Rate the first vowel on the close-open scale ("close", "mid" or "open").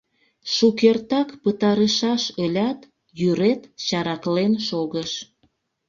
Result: close